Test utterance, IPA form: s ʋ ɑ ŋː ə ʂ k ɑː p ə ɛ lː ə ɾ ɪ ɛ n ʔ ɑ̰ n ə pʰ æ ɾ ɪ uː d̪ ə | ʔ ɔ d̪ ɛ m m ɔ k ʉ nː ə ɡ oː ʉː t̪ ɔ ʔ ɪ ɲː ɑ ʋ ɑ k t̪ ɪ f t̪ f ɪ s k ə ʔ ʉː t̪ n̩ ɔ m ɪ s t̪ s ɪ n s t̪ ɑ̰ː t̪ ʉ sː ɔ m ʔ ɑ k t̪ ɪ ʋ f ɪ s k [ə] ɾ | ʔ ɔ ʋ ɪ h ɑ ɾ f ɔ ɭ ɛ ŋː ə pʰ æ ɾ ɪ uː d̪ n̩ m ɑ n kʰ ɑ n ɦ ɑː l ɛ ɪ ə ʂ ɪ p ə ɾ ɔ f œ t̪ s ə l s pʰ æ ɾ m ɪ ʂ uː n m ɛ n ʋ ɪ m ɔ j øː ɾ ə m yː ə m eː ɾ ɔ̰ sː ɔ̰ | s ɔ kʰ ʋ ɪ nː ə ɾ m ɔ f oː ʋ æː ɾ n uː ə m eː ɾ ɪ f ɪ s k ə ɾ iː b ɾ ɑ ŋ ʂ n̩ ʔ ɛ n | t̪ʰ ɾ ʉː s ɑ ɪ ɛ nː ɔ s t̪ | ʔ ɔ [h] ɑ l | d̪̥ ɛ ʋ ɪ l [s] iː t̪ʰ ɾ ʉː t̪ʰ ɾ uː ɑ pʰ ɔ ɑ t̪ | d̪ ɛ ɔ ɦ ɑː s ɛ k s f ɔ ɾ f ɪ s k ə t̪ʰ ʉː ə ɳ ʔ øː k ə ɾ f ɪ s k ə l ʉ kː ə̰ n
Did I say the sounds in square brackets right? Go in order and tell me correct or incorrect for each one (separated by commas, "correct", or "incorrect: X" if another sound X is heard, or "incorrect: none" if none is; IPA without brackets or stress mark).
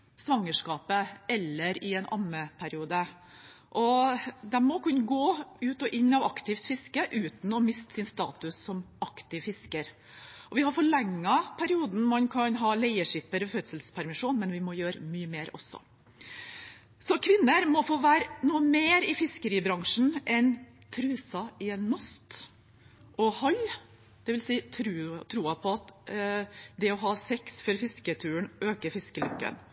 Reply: correct, correct, correct